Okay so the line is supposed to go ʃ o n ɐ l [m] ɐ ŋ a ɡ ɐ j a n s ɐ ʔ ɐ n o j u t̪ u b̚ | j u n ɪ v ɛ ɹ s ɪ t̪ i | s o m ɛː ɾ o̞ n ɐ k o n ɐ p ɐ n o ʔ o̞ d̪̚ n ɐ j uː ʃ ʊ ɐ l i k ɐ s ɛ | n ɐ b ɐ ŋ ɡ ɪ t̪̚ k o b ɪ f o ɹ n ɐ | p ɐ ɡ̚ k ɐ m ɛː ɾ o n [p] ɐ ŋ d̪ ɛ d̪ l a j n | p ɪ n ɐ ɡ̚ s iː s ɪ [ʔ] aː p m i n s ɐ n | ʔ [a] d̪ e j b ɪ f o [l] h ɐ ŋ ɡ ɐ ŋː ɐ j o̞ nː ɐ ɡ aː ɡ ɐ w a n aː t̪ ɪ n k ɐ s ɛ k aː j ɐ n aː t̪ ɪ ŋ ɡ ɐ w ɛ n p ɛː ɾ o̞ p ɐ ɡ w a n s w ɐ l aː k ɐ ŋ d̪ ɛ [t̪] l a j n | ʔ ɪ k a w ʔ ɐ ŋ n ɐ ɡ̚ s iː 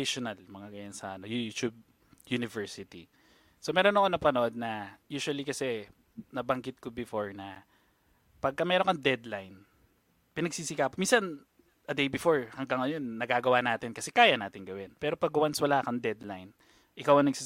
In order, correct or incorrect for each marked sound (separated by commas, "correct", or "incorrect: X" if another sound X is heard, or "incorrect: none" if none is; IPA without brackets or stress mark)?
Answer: correct, incorrect: k, incorrect: k, incorrect: ɐ, incorrect: ɹ, incorrect: d̪